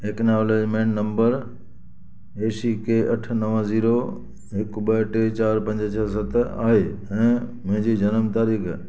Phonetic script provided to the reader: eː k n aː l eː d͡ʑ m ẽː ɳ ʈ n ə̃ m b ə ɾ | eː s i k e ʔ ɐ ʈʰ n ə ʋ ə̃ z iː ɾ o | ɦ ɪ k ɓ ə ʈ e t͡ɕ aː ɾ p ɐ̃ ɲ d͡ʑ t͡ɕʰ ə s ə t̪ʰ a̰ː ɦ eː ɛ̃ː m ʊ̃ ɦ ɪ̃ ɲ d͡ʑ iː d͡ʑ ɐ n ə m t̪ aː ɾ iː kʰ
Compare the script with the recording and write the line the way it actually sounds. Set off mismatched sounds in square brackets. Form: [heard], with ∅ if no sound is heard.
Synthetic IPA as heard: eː k n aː l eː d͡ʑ m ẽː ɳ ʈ n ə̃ m b ə ɾ | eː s i k e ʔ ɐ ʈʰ n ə ʋ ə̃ z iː ɾ o | ɦ ɪ k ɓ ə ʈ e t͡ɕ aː ɾ p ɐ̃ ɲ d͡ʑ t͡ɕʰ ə s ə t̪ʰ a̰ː ɦ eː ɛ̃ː m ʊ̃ ɦ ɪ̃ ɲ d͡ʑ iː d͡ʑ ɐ n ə m t̪ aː ɾ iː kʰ